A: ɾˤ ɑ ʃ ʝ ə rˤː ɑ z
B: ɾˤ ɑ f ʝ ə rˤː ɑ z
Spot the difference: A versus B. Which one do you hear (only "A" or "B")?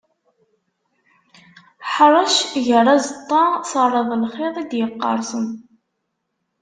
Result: A